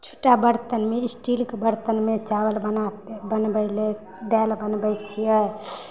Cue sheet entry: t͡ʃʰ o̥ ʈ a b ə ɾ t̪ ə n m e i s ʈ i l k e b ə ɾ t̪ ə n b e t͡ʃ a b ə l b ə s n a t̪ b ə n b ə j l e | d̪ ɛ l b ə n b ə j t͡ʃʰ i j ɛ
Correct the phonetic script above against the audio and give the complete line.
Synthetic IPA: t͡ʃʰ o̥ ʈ a b ə ɾ t̪ ə n m e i s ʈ i l k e b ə ɾ t̪ ə n m e t͡ʃ a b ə l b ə n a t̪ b ə n b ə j l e | d̪ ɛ l b ə n b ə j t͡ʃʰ i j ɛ